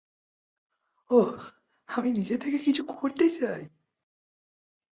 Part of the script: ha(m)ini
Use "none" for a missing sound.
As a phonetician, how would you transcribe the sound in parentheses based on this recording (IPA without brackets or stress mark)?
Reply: m